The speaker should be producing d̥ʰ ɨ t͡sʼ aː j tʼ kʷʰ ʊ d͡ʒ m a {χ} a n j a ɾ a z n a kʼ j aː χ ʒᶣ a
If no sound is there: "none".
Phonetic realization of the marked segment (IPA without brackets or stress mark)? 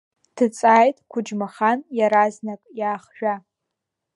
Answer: χ